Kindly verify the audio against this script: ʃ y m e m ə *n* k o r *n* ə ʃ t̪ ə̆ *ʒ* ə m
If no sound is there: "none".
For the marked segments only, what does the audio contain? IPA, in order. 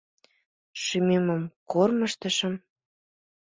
m, m, ʃ

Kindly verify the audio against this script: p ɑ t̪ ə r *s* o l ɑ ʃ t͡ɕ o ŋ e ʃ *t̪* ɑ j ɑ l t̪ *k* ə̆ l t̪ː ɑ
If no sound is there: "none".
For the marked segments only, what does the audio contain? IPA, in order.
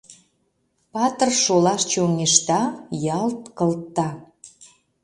ʃ, t̪, k

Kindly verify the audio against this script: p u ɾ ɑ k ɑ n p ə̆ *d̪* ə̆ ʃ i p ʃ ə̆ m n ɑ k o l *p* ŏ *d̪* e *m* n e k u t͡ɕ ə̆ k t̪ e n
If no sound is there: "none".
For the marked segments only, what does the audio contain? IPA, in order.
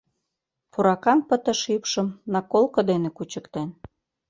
t̪, k, d̪, none

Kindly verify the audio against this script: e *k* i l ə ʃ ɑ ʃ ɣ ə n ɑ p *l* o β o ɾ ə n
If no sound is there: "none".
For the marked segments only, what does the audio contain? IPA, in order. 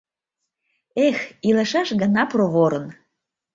x, r

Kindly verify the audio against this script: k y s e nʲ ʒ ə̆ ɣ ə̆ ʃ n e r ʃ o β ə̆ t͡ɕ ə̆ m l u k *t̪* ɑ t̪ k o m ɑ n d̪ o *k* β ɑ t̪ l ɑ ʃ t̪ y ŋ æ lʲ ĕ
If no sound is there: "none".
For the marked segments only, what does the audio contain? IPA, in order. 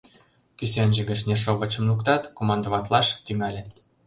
t̪, none

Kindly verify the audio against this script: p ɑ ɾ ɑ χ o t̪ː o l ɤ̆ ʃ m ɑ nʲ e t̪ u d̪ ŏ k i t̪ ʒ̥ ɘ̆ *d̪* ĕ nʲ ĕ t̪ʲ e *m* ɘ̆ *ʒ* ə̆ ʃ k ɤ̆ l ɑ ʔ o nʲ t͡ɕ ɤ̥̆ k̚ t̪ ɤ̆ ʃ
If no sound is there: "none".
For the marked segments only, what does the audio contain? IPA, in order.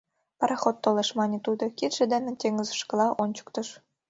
d̪, ŋ, z

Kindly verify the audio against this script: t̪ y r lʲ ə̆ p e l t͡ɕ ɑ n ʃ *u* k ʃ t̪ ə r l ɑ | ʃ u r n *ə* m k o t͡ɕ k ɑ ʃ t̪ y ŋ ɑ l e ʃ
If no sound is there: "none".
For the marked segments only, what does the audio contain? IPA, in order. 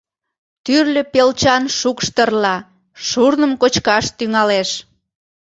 u, ə

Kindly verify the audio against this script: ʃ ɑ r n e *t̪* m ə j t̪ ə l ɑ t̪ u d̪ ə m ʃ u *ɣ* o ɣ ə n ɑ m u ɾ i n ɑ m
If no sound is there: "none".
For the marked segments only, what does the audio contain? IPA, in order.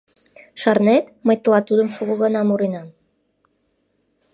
t̪, ɣ

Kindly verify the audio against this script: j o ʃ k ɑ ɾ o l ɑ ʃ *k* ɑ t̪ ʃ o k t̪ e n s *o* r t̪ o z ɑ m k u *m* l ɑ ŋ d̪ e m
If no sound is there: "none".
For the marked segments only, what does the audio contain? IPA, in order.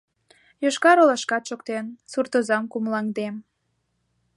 k, u, m

